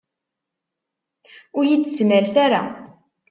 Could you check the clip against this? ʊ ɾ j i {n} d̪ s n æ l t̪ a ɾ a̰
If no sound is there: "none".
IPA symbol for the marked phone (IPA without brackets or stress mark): none